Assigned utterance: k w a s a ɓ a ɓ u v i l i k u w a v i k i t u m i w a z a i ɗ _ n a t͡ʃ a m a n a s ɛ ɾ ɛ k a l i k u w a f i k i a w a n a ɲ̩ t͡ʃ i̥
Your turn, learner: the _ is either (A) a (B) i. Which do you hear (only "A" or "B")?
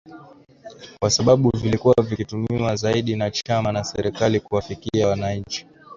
B